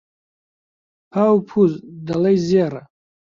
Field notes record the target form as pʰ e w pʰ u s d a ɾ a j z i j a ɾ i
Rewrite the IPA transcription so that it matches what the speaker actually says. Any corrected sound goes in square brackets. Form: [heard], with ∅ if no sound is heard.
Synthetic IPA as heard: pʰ [a] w pʰ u [z] d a [l] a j z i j a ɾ [a]